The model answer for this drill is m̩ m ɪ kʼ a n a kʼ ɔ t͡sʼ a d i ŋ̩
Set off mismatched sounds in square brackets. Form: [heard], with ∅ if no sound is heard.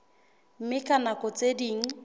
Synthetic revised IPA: m̩ m ɪ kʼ a n a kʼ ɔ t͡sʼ [e] d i ŋ̩